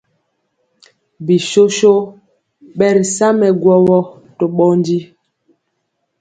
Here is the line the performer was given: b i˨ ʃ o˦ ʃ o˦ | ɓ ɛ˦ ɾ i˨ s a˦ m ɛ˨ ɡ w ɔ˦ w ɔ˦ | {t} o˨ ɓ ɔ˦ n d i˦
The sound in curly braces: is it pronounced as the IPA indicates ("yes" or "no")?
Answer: yes